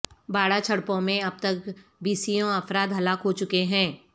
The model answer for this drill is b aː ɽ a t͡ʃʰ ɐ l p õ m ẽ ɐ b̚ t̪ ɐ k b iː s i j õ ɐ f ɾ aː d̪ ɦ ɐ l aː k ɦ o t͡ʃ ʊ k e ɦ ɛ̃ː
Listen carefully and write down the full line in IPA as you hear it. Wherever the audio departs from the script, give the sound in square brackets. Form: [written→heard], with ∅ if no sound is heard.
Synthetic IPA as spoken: b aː ɽ a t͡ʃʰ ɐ [l→ɽ] p õ m ẽ ɐ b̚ t̪ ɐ k b iː s i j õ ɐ f ɾ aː d̪ ɦ ɐ l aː k ɦ o t͡ʃ ʊ k e ɦ ɛ̃ː

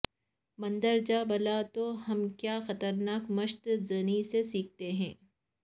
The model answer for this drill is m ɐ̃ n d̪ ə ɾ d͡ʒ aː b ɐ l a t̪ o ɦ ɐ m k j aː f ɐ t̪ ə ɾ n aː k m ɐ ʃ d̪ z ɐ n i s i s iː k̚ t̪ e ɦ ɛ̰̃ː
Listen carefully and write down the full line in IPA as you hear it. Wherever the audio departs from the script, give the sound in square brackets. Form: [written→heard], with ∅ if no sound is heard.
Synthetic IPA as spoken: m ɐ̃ n d̪ ə ɾ d͡ʒ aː b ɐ l a t̪ o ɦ ɐ m k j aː [f→x] ɐ t̪ ə ɾ n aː k m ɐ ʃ [d̪→t̪] z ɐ n i s [i→e] s iː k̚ t̪ e ɦ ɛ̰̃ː

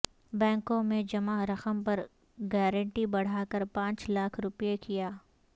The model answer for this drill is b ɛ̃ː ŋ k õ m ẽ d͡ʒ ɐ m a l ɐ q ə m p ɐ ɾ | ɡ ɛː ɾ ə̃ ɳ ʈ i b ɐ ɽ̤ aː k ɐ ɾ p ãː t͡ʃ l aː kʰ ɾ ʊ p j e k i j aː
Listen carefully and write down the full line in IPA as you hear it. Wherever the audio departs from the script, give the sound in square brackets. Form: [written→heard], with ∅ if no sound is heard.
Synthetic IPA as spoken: b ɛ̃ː ŋ k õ m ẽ d͡ʒ ɐ m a [l→ɾ] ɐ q ə m p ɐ ɾ | ɡ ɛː ɾ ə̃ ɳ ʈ i b ɐ ɽ̤ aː k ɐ ɾ p ãː t͡ʃ l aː kʰ ɾ ʊ p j e k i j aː

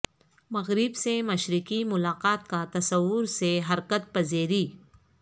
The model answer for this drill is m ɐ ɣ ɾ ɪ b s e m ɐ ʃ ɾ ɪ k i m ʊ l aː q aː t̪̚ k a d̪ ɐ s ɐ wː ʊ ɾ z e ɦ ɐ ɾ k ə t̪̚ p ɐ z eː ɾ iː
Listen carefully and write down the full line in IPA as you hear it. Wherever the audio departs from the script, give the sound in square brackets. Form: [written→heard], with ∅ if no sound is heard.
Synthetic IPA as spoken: m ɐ ɣ ɾ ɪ b s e m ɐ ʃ ɾ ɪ k i m ʊ l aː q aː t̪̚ k a [d̪→t̪] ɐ s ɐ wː ʊ ɾ [z→s] e ɦ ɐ ɾ k ə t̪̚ p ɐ z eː ɾ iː

